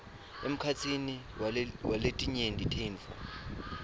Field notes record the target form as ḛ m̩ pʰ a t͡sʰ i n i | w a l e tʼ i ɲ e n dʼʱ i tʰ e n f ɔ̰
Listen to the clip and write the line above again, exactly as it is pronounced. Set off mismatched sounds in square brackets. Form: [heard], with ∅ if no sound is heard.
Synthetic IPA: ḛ m̩ [kʰ] a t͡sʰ i n i | w a l e tʼ i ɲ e n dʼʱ i tʰ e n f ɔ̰